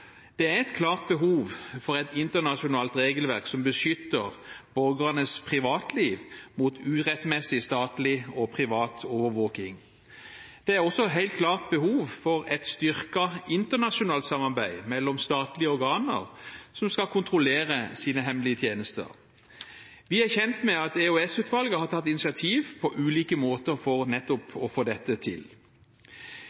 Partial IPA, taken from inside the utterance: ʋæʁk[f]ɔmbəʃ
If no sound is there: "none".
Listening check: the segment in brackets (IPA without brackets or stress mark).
s